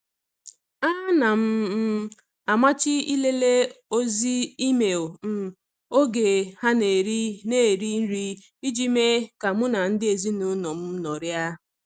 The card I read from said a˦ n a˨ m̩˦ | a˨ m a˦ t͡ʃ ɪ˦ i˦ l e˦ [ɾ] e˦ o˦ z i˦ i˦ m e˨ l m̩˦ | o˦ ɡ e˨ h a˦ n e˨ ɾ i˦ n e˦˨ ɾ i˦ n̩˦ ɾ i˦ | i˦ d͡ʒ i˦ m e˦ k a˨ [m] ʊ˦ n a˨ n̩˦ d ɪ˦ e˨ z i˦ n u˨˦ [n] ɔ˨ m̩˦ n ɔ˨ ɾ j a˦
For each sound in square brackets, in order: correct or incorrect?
incorrect: l, correct, correct

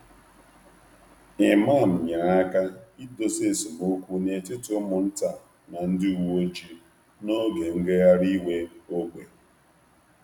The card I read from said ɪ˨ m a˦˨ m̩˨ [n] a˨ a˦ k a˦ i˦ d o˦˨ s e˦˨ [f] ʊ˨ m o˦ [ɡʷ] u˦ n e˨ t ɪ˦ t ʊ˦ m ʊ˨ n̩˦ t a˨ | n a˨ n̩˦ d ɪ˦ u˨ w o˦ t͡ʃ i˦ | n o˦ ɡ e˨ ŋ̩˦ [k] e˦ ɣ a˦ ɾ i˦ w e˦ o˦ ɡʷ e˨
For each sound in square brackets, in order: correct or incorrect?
incorrect: ɲ, incorrect: s, incorrect: kʷ, incorrect: ɡ

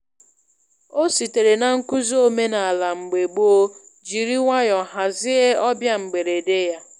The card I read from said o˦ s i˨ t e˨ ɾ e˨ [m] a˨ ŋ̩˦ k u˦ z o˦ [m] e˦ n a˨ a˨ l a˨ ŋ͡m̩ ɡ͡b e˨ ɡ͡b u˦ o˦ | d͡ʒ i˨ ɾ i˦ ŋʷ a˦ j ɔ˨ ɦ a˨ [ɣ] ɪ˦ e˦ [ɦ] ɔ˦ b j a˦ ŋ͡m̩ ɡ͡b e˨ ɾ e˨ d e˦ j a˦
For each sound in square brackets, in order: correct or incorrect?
incorrect: n, correct, incorrect: z, incorrect: none

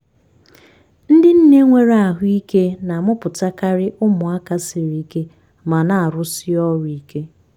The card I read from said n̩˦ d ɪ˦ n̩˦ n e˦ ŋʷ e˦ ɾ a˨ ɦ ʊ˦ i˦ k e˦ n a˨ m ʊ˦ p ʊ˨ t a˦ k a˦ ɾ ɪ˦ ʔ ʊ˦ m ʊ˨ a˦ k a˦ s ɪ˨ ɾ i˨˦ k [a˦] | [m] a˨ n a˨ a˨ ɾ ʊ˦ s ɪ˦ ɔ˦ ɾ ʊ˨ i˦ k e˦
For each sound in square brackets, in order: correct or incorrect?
incorrect: e˦, correct

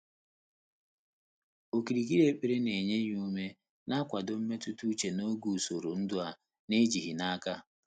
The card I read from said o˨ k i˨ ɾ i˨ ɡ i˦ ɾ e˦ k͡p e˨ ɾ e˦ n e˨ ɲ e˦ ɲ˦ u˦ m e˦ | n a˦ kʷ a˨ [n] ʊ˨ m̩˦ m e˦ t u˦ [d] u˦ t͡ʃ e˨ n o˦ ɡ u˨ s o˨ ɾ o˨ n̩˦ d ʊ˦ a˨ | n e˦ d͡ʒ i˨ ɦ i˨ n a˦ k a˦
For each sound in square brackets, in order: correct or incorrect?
incorrect: d, incorrect: t

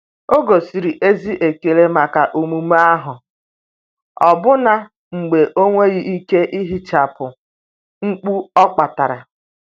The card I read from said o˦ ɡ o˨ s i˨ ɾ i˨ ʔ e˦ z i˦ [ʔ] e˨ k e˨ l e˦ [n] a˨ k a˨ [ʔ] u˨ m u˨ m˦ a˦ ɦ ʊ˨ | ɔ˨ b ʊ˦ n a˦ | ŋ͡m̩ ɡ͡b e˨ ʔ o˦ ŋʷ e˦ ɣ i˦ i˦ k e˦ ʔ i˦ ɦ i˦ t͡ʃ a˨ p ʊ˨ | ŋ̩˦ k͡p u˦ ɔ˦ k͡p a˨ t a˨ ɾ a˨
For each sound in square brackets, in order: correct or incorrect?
correct, incorrect: m, correct

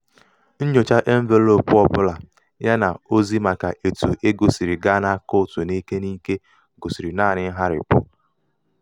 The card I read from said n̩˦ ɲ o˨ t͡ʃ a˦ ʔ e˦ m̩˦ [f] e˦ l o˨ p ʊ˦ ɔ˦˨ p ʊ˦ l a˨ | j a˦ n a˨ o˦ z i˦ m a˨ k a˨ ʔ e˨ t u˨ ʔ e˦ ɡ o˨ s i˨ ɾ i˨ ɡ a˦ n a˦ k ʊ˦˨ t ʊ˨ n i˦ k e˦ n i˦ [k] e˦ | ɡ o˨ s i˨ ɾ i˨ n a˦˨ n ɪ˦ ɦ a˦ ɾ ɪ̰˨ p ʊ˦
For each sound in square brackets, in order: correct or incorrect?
incorrect: v, correct

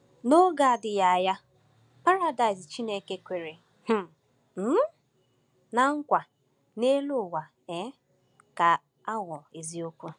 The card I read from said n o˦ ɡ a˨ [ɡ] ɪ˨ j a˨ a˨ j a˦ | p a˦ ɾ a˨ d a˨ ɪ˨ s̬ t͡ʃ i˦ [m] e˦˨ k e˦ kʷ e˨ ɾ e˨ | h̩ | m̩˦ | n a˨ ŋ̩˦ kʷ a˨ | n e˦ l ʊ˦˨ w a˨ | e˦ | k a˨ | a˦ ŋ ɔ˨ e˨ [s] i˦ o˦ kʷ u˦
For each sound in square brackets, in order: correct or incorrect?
incorrect: d, incorrect: n, incorrect: z

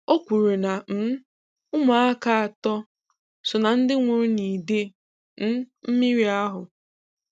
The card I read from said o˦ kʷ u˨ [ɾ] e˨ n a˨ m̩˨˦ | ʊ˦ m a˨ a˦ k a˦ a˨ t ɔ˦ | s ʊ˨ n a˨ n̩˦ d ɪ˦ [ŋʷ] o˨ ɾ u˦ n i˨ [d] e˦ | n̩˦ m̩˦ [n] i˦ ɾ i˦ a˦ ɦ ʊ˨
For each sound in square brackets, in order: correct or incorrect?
correct, correct, correct, incorrect: m

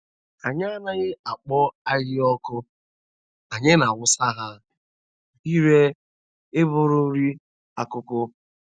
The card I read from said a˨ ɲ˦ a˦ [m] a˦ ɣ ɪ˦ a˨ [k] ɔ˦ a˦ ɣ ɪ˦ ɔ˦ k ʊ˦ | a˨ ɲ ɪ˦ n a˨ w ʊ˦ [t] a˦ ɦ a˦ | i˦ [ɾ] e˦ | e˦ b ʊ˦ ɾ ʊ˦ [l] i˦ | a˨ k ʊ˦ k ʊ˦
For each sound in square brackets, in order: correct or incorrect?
incorrect: n, incorrect: k͡p, incorrect: s, correct, incorrect: ɾ

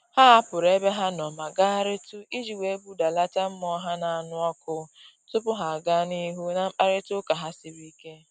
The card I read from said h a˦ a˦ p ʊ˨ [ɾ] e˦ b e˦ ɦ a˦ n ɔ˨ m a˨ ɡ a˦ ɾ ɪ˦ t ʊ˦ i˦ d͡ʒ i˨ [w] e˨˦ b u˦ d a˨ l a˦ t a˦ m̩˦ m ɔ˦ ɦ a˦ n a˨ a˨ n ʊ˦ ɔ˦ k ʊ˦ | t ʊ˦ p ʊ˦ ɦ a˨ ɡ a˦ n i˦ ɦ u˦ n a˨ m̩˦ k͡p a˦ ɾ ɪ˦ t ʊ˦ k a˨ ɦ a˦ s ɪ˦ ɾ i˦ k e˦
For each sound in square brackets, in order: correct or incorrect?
correct, correct

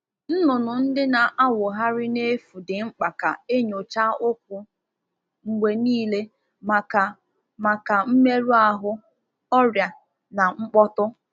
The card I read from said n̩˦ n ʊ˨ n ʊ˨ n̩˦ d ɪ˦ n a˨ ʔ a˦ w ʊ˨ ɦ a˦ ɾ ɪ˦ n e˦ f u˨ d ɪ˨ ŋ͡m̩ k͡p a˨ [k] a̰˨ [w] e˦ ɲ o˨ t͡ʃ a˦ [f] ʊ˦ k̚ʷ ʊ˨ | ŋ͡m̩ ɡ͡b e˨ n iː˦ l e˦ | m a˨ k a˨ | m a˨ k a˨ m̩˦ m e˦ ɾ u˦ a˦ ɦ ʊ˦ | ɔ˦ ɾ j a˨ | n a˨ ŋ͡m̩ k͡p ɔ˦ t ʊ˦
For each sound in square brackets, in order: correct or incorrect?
correct, incorrect: none, incorrect: none

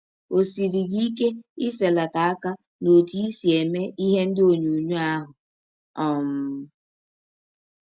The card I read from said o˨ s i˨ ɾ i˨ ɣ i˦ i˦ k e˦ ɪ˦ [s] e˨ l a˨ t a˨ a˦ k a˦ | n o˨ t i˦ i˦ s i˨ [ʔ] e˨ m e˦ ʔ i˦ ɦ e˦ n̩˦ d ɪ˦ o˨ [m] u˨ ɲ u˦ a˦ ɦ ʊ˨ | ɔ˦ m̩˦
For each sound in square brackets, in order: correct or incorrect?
correct, incorrect: none, incorrect: ɲ

